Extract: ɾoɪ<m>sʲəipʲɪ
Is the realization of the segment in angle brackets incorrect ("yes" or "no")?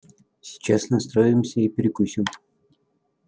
no